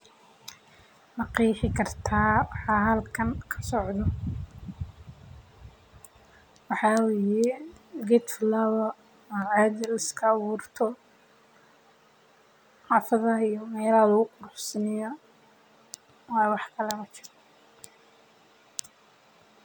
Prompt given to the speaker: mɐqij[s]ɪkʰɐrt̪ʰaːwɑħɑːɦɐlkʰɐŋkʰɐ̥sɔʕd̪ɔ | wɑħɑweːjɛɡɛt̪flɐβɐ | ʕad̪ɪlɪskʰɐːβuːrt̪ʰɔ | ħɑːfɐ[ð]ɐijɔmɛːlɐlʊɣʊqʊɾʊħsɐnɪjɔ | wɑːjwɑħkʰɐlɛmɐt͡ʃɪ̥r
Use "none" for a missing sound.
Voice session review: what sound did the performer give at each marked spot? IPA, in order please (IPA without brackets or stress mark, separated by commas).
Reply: ħ, ð